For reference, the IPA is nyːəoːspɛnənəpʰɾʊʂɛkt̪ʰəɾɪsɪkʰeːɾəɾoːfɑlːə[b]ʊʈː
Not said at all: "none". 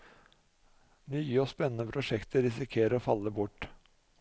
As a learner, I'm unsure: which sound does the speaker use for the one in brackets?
b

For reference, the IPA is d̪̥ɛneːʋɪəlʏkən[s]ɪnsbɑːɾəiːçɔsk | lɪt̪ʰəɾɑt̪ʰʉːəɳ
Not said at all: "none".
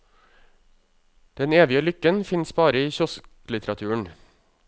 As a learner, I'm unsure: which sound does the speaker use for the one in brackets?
f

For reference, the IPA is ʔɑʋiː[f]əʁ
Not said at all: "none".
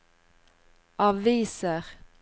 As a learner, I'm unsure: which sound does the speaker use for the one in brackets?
s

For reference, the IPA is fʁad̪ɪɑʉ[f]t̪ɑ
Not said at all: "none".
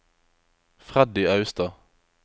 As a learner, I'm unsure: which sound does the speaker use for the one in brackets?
s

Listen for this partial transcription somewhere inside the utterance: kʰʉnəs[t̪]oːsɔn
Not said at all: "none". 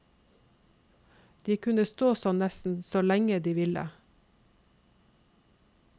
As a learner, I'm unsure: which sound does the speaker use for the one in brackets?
t̪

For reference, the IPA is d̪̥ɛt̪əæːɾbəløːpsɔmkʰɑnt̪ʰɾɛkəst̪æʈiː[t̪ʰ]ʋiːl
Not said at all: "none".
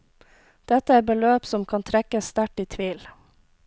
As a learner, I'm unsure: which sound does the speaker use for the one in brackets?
t̪ʰ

